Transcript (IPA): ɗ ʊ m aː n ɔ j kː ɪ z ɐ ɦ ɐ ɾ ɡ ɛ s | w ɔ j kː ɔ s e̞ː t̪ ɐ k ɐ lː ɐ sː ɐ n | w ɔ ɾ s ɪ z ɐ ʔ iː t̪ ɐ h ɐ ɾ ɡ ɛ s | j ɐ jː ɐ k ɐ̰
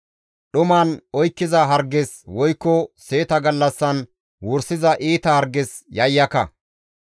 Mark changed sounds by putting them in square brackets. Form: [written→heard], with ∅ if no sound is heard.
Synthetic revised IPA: ɗ ʊ m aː n ɔ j kː ɪ z ɐ ɦ ɐ ɾ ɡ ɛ s | w ɔ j kː ɔ s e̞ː t̪ ɐ [k→ɡ] ɐ lː ɐ sː ɐ n | w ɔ ɾ s ɪ z ɐ ʔ iː t̪ ɐ h ɐ ɾ ɡ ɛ s | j ɐ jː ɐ k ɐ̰